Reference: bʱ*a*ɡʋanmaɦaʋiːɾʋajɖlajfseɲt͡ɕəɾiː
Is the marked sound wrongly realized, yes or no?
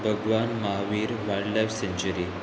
yes